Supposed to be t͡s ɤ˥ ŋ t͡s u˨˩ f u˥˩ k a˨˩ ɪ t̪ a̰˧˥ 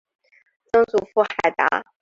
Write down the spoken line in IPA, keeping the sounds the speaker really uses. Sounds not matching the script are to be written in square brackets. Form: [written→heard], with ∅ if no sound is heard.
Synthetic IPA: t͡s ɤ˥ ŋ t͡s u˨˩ f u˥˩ [k→x] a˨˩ ɪ t̪ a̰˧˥

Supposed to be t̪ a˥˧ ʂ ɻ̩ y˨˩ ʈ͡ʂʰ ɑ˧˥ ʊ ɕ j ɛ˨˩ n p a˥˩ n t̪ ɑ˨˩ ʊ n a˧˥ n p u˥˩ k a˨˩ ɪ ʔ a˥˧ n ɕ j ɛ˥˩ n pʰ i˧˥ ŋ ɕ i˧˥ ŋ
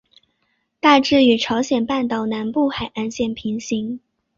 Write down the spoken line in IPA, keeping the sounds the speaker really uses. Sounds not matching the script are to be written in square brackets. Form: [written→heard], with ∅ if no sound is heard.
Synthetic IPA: t̪ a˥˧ [ʂ→ʈ͡ʂ] ɻ̩ y˨˩ ʈ͡ʂʰ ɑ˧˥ ʊ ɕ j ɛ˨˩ n p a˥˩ n t̪ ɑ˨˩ ʊ n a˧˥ n p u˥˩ [k→x] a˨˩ ɪ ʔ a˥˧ n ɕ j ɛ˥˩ n pʰ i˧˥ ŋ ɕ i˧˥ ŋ

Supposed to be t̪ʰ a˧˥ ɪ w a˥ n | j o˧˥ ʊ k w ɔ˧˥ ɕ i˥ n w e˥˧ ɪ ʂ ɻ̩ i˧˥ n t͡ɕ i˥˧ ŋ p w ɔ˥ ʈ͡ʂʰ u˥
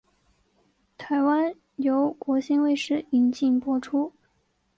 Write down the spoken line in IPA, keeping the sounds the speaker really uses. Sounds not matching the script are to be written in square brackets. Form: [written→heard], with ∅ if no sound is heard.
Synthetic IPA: t̪ʰ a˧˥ ɪ w a˥ n | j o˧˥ ʊ k w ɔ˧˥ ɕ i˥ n w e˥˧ ɪ ʂ ɻ̩ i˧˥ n t͡ɕ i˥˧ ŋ p w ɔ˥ ʈ͡ʂʰ u˥

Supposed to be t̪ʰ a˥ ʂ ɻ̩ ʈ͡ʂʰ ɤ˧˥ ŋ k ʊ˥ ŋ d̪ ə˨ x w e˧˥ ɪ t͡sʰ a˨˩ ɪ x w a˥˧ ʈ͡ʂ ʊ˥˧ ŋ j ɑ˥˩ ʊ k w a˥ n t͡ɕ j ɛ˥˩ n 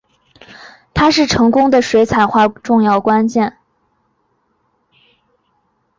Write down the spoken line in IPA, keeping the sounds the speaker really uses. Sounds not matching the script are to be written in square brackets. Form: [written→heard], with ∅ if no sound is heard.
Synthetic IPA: t̪ʰ a˥ ʂ ɻ̩ ʈ͡ʂʰ ɤ˧˥ ŋ k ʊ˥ ŋ d̪ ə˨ [x→ʂ] w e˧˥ ɪ t͡sʰ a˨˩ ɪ x w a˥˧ ʈ͡ʂ ʊ˥˧ ŋ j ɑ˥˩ ʊ k w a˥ n t͡ɕ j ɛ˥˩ n

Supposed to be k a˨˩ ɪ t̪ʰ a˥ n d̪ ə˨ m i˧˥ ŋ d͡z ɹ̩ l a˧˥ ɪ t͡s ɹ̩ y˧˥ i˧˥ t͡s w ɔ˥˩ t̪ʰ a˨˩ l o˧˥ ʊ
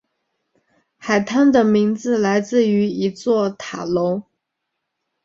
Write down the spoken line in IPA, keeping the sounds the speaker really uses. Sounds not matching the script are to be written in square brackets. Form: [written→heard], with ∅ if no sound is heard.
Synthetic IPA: [k→x] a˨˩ ɪ t̪ʰ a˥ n d̪ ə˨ m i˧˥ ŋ d͡z ɹ̩ l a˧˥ ɪ t͡s ɹ̩ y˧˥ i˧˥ t͡s w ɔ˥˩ t̪ʰ a˨˩ l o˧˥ ʊ

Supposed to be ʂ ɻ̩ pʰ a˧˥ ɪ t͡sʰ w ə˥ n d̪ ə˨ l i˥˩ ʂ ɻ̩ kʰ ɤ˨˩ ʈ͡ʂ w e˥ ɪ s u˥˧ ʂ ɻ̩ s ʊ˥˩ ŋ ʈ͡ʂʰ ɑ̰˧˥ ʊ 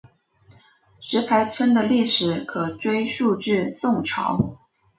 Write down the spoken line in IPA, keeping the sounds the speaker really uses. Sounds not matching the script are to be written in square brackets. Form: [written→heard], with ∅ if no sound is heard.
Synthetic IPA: ʂ ɻ̩ pʰ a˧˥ ɪ t͡sʰ w ə˥ n d̪ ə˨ l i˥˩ ʂ ɻ̩ kʰ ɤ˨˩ ʈ͡ʂ w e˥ ɪ [s→ʂ] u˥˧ [ʂ→ʈ͡ʂ] ɻ̩ s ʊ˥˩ ŋ ʈ͡ʂʰ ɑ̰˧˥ ʊ

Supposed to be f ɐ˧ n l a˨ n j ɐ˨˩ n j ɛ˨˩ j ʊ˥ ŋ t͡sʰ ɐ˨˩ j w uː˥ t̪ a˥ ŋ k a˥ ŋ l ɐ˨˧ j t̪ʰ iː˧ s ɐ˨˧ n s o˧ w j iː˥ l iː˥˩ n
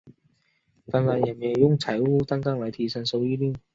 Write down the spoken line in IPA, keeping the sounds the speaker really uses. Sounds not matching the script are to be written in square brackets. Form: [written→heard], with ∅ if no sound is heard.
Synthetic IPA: f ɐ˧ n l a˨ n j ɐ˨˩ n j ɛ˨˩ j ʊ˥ ŋ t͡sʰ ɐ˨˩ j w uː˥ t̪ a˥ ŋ k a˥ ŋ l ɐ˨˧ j t̪ʰ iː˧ s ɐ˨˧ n s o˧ w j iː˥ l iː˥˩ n

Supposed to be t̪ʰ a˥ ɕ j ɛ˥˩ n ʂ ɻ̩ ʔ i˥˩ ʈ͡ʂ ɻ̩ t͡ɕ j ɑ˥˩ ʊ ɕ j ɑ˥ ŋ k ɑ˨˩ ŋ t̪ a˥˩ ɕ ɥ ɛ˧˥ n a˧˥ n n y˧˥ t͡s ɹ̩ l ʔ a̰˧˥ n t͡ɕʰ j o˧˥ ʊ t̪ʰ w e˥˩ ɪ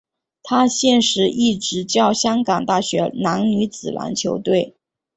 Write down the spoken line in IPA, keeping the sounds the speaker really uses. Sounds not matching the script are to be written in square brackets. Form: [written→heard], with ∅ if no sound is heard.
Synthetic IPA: t̪ʰ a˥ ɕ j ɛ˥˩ n ʂ ɻ̩ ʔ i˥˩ ʈ͡ʂ ɻ̩ t͡ɕ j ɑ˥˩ ʊ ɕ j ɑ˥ ŋ k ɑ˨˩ ŋ t̪ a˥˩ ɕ ɥ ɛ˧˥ n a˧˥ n n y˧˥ t͡s ɹ̩ l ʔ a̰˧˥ n t͡ɕʰ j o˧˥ ʊ [t̪ʰ→t̪] w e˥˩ ɪ

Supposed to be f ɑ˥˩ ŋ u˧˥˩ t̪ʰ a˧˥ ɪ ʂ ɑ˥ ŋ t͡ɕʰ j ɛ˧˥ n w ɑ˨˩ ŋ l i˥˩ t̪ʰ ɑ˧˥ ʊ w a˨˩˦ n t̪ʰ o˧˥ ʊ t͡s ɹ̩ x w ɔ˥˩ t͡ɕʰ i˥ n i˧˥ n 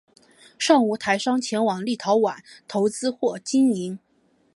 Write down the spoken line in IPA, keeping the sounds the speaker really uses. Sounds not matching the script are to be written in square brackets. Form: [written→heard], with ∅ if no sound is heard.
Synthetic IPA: [f→ʂ] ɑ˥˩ ŋ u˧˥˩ t̪ʰ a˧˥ ɪ ʂ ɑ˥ ŋ t͡ɕʰ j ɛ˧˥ n w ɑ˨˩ ŋ l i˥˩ t̪ʰ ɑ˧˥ ʊ w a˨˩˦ n t̪ʰ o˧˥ ʊ t͡s ɹ̩ x w ɔ˥˩ [t͡ɕʰ→t͡ɕ] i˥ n i˧˥ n

